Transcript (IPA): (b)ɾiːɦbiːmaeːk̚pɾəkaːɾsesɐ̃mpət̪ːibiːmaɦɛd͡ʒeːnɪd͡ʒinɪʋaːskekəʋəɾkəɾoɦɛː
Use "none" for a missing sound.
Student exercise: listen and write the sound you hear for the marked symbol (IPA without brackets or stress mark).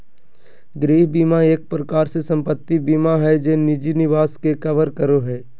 ɡ